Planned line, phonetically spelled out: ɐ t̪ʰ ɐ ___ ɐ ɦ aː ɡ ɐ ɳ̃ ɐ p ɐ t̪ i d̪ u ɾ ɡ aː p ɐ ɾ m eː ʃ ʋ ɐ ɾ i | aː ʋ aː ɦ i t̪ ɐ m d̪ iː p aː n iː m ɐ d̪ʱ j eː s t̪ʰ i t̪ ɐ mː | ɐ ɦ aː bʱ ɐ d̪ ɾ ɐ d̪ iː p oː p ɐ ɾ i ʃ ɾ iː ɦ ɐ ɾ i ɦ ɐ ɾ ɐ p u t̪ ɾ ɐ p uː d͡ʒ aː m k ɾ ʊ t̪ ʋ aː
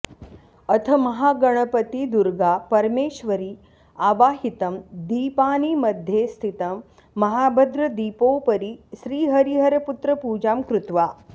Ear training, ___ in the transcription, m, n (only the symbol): m